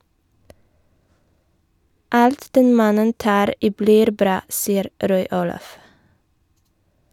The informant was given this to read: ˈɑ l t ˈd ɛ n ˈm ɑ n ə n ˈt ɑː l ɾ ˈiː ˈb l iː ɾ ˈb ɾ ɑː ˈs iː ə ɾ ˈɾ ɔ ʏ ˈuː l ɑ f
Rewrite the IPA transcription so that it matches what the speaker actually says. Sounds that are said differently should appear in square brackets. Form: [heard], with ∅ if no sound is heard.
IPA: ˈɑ l t ˈd ɛ n ˈm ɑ n ə n ˈt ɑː [∅] ɾ ˈiː ˈb l iː ɾ ˈb ɾ ɑː ˈs iː ə ɾ ˈɾ ɔ ʏ ˈuː l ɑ f